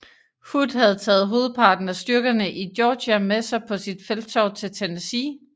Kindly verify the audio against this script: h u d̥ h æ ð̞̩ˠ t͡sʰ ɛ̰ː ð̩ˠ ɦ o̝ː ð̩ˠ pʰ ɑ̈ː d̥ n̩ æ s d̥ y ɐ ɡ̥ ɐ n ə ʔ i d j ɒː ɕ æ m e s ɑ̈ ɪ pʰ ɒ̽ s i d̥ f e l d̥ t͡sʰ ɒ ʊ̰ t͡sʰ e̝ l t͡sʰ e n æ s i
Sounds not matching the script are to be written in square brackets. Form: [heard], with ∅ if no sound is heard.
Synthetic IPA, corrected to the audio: h u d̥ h æ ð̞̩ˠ t͡sʰ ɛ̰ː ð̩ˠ ɦ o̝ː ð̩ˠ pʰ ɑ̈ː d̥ n̩ æ s d̥ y ɐ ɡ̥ ɐ n ə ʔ i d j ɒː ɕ æ m e s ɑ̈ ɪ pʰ ɒ̽ s i d̥ f e l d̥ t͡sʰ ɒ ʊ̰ t͡sʰ e̝ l t͡sʰ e n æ s i